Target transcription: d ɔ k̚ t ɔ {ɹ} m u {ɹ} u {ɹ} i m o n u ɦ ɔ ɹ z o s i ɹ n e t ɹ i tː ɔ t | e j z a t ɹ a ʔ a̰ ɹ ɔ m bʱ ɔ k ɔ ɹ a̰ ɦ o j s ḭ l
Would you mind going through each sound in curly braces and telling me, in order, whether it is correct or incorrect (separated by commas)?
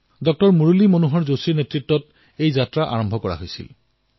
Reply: correct, correct, incorrect